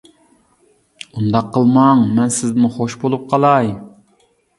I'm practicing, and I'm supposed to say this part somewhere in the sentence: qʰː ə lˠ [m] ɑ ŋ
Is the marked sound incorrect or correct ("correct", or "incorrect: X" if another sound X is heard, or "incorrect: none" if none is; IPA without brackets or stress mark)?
correct